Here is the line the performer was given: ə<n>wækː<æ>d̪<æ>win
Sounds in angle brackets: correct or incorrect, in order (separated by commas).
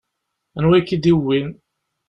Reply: correct, incorrect, incorrect